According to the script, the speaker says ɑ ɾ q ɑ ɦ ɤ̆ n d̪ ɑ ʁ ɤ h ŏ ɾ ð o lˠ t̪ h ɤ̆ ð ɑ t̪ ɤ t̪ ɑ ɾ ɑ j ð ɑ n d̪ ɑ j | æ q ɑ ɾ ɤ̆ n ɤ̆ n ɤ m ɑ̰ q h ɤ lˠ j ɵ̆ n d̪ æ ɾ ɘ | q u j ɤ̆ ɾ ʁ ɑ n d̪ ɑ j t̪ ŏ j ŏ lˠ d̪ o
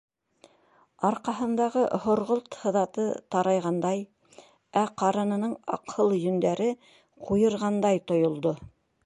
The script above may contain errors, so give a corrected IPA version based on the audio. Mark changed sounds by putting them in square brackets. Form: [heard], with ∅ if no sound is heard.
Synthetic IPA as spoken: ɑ ɾ q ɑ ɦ ɤ̆ n d̪ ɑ ʁ ɤ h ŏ ɾ [ʁ] o lˠ t̪ h ɤ̆ ð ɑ t̪ ɤ t̪ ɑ ɾ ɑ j [ʁ] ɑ n d̪ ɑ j | æ q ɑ ɾ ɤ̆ n ɤ̆ n ɤ [ɴ] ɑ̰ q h ɤ lˠ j ɵ̆ n d̪ æ ɾ ɘ | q u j ɤ̆ ɾ ʁ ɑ n d̪ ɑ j t̪ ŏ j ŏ lˠ d̪ o